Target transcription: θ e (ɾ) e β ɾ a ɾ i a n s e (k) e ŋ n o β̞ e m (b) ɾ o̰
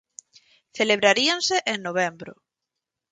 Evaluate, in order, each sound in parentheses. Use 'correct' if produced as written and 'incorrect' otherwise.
incorrect: l, incorrect: ʔ, correct

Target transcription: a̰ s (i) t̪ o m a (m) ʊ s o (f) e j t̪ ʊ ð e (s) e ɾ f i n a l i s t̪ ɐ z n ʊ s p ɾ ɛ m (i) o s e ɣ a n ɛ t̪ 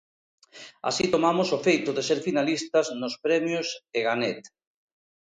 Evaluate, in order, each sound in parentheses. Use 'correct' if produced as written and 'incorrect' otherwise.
correct, correct, correct, correct, incorrect: j

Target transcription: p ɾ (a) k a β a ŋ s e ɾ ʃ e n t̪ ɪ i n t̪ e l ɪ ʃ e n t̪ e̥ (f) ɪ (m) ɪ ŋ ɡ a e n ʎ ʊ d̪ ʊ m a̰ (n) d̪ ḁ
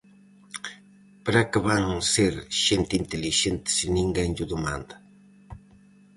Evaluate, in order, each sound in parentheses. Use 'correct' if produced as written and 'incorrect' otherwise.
correct, incorrect: s, incorrect: n, correct

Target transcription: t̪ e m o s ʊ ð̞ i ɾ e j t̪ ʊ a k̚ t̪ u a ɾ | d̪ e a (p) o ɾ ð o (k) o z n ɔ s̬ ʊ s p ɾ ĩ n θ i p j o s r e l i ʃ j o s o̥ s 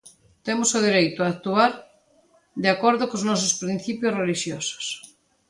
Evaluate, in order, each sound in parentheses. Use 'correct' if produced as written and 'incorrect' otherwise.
incorrect: k, correct

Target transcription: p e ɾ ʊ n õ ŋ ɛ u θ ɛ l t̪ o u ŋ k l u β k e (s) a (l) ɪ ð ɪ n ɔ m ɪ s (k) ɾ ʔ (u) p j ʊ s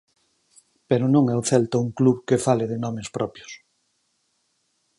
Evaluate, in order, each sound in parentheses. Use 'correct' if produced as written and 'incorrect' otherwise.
incorrect: f, correct, incorrect: p, incorrect: ɔ

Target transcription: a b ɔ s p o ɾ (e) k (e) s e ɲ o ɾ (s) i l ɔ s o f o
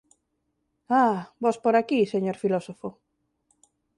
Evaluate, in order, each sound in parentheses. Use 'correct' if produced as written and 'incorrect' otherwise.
incorrect: a, incorrect: i, incorrect: f

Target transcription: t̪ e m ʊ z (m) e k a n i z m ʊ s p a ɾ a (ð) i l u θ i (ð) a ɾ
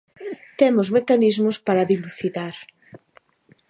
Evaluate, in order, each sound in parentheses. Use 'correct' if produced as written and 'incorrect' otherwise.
correct, correct, correct

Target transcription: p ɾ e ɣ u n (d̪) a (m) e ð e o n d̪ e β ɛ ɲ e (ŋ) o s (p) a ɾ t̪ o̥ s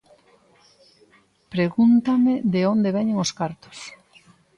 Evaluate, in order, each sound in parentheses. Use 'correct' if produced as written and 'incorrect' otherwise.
incorrect: t̪, correct, correct, incorrect: k

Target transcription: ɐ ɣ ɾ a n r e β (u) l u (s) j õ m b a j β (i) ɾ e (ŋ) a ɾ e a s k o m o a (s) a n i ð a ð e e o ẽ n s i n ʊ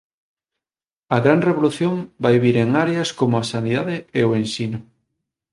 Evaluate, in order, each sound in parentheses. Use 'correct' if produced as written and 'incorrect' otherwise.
incorrect: o, incorrect: θ, correct, correct, correct

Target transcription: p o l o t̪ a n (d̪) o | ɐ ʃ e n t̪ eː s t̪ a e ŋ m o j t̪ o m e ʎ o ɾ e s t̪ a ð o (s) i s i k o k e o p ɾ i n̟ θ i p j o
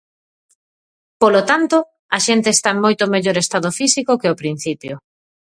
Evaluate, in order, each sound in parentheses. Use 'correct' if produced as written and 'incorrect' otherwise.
incorrect: t̪, incorrect: f

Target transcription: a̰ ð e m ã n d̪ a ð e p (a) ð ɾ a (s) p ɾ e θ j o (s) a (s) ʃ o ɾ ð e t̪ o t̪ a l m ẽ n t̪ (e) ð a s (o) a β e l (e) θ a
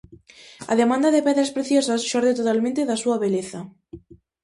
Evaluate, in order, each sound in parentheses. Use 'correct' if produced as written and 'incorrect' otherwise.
incorrect: ɛ, correct, correct, correct, correct, incorrect: u, correct

